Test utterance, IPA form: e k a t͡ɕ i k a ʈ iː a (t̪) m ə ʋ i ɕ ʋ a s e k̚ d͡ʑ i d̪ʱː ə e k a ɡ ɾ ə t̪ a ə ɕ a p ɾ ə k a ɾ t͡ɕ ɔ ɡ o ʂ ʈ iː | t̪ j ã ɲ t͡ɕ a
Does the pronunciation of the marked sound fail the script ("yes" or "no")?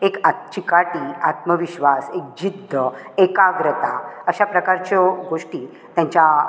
no